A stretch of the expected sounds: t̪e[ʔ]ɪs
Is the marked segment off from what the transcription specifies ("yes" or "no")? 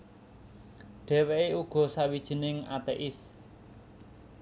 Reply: no